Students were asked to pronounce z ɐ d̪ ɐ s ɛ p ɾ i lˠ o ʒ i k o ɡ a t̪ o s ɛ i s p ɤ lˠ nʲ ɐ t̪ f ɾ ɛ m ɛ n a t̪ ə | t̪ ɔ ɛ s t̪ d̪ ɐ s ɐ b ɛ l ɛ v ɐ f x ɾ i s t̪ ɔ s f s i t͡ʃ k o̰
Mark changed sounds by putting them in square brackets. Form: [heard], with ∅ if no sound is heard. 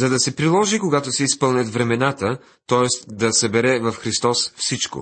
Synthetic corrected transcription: z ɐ d̪ ɐ s ɛ p ɾ i lˠ [ɔ] ʒ i k o ɡ a t̪ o s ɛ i s p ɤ lˠ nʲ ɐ t̪ [v] ɾ ɛ m ɛ n a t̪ ə | t̪ ɔ ɛ s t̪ d̪ ɐ s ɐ b ɛ [ɾ] ɛ v ɐ f x ɾ i s t̪ ɔ s f s i t͡ʃ k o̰